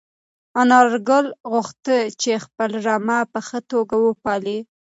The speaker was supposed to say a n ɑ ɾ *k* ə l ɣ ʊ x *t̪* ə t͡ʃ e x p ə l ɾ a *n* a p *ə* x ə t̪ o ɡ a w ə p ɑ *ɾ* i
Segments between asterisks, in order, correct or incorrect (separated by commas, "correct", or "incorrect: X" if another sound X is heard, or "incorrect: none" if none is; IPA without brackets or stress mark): incorrect: ɡ, correct, incorrect: m, correct, incorrect: l